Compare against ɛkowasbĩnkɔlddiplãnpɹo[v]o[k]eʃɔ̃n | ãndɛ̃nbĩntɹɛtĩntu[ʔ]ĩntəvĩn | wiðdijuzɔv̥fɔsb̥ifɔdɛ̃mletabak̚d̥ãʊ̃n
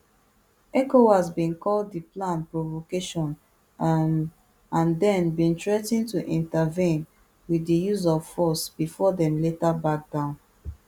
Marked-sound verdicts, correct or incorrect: correct, correct, correct

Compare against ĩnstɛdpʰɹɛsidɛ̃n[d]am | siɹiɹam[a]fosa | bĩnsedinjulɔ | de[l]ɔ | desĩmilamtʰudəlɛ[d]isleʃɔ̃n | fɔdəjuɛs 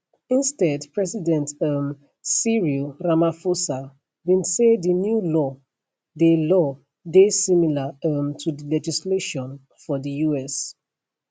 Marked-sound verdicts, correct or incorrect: incorrect, correct, correct, incorrect

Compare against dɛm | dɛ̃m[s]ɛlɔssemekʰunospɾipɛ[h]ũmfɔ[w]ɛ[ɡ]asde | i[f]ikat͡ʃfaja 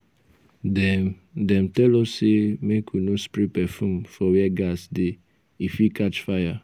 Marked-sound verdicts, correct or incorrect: incorrect, incorrect, correct, correct, correct

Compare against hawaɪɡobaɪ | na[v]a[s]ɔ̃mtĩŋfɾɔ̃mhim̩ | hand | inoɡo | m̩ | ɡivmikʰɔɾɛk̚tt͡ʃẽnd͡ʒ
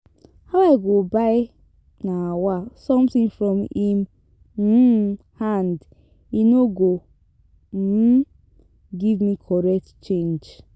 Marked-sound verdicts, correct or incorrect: incorrect, correct

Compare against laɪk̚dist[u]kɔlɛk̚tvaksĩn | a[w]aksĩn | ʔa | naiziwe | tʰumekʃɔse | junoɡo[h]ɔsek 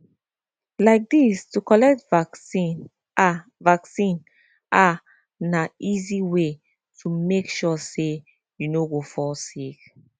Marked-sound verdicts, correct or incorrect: correct, incorrect, incorrect

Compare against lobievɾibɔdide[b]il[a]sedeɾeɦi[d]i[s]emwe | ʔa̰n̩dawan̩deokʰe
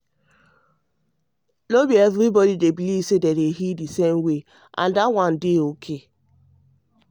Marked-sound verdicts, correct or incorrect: correct, incorrect, correct, correct

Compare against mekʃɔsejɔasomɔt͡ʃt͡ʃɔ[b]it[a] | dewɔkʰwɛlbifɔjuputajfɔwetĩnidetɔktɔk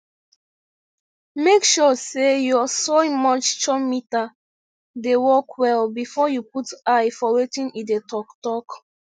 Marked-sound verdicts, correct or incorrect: incorrect, correct

